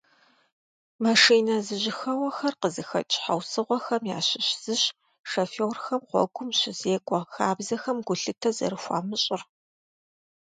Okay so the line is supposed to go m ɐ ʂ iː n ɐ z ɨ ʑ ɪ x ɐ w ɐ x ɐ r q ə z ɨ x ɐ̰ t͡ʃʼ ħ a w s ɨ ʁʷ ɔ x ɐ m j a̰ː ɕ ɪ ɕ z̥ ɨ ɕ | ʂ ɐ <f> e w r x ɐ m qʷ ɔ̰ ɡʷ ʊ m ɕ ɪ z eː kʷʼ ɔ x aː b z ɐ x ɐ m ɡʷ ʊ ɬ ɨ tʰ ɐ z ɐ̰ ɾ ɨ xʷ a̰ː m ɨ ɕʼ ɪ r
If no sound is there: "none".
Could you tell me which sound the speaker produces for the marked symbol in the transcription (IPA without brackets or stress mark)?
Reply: f